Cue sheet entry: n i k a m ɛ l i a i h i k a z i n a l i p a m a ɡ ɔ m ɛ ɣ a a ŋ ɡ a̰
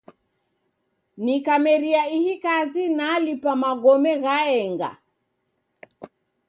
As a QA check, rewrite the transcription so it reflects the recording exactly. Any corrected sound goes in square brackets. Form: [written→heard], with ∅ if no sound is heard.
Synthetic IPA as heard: n i k a m ɛ [l→ɾ] i a i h i k a z i n a l i p a m a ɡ ɔ m ɛ ɣ a [a→ɛ] ŋ ɡ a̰